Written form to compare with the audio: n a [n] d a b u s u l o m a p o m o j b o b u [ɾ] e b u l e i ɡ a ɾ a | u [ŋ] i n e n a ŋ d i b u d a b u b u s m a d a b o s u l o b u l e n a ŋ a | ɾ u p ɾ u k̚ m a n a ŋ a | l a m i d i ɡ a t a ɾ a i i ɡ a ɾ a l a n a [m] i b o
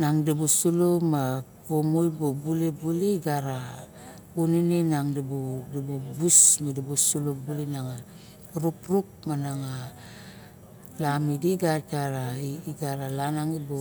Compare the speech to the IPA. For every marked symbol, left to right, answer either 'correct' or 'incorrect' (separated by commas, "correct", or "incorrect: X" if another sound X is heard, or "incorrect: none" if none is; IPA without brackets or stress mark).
incorrect: ŋ, incorrect: l, incorrect: n, incorrect: ŋ